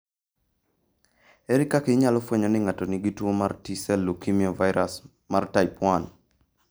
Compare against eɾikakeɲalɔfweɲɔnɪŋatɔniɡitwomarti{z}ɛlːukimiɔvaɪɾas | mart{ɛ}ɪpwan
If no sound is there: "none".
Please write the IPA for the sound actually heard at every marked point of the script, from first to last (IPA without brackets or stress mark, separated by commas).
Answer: s, a